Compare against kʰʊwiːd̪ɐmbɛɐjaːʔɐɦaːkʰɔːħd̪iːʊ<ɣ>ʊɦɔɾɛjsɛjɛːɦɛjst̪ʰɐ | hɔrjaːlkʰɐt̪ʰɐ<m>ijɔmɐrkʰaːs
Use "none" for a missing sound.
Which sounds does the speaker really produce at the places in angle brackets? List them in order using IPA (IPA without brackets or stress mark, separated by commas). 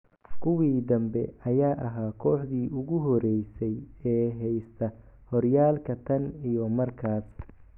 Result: ɣ, n